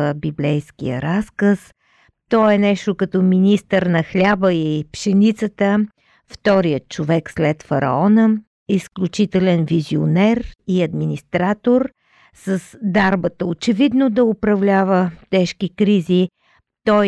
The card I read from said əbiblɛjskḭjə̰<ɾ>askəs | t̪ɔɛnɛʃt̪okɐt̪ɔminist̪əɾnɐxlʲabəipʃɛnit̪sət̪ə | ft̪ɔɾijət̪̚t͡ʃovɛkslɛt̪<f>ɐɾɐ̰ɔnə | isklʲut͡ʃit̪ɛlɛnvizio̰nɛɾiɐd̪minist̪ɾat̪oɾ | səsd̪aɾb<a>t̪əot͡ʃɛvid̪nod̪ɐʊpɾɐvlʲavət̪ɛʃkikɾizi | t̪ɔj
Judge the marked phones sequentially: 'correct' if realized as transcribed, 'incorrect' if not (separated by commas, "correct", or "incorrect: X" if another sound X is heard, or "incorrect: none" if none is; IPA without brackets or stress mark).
correct, correct, incorrect: ə